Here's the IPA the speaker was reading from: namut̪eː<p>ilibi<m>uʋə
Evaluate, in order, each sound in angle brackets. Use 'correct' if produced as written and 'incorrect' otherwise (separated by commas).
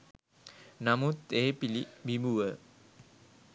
correct, correct